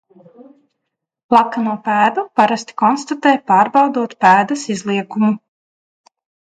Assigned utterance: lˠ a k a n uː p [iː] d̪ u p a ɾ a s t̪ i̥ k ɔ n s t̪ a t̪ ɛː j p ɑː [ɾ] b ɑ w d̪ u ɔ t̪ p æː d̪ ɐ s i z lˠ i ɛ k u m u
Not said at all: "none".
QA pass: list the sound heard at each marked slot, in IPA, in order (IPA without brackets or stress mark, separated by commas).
æː, ɾ